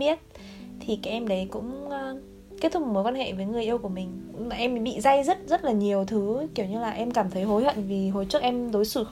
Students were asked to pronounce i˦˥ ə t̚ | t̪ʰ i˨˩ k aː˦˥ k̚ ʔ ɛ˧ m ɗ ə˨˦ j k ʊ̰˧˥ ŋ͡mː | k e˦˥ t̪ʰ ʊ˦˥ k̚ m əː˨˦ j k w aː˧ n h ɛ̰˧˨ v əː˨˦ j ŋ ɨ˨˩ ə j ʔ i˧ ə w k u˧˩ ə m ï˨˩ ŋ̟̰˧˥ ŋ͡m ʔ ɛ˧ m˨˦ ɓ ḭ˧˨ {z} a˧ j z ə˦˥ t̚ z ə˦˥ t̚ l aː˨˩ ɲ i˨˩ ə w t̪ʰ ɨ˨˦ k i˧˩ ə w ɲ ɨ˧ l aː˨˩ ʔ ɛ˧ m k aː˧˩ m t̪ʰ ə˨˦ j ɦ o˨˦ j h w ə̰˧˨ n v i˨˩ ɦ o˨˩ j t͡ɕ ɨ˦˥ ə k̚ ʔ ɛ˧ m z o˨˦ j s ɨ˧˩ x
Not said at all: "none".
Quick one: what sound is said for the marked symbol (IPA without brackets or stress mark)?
z